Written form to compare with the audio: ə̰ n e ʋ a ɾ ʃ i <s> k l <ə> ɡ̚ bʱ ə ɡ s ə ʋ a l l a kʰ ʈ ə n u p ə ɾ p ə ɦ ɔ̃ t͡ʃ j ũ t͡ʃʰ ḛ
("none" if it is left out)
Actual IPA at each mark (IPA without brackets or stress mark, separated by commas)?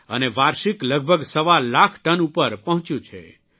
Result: none, ə